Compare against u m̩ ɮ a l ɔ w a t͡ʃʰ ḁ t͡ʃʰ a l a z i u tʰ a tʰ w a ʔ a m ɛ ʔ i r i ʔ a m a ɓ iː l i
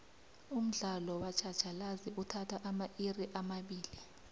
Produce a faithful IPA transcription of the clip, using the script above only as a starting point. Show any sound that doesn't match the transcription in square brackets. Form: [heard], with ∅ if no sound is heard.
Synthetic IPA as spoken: u m̩ ɮ a l ɔ w a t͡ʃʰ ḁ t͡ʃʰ a l a z i u tʰ a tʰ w a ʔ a m [a] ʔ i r i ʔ a m a ɓ iː l i